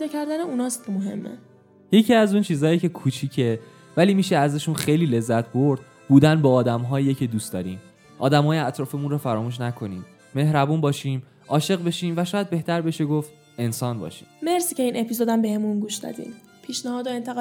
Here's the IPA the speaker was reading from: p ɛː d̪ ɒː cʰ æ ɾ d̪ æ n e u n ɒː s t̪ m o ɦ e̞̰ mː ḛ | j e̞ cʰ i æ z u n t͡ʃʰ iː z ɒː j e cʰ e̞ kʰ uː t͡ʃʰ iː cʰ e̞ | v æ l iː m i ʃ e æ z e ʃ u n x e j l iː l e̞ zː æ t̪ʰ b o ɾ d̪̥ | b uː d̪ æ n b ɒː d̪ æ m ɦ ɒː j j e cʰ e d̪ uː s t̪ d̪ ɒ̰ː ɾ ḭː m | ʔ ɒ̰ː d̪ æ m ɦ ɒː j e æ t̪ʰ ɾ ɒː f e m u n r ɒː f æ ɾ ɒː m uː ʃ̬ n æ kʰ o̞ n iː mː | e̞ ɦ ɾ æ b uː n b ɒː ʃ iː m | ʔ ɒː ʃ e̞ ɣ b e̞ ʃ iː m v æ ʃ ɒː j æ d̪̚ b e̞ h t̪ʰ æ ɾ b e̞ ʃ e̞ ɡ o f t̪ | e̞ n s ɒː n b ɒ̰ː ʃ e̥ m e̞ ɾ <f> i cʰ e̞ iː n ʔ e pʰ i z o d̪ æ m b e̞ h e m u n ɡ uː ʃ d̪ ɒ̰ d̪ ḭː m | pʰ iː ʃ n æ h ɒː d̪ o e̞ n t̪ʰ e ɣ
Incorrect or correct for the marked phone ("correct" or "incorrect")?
incorrect